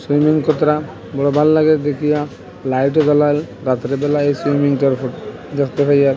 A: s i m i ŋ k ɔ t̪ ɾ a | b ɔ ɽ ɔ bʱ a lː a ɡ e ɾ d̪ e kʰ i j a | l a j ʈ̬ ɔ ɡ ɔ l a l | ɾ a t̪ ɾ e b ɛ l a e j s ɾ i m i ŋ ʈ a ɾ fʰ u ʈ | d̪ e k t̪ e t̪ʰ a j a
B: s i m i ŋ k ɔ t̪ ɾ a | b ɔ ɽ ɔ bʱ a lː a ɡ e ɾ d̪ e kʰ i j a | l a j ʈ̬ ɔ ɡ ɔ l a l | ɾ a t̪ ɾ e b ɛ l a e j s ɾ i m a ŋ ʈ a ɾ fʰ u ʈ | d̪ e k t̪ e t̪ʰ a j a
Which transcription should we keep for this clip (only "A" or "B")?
A